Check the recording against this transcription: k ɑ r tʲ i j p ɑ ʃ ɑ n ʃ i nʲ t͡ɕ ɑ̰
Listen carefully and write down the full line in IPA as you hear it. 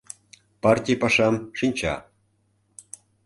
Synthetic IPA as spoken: p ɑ r tʲ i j p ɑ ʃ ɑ m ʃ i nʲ t͡ɕ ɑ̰